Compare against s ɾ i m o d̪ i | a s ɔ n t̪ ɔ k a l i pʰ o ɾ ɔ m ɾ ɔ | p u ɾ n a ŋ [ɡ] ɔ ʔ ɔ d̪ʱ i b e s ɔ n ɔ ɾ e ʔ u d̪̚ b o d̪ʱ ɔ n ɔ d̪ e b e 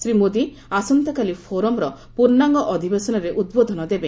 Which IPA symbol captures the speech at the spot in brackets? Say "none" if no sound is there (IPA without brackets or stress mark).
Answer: ɡ